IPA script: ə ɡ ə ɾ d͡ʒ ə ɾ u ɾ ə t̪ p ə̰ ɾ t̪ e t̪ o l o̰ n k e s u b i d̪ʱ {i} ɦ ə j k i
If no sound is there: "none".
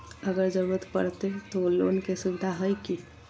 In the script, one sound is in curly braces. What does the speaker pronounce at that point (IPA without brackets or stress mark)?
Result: a